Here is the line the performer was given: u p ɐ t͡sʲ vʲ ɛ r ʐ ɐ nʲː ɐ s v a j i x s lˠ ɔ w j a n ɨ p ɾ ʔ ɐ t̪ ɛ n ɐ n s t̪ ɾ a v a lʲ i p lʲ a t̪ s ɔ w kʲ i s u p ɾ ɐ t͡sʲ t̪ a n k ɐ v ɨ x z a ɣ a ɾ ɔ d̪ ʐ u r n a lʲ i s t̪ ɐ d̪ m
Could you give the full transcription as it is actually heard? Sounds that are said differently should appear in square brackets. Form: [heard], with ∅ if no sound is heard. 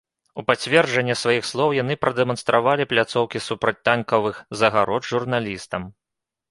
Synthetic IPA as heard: u p [a] t͡sʲ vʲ ɛ r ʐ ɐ nʲː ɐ s v a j i x s lˠ ɔ w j a n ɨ p ɾ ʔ ɐ [d̪] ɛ [m] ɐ n s t̪ ɾ a v a lʲ i p lʲ a t̪ s ɔ w kʲ i s u p ɾ ɐ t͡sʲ t̪ a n k ɐ v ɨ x z [ɐ] ɣ a ɾ ɔ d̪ ʐ u r n a lʲ i s t̪ ɐ [∅] m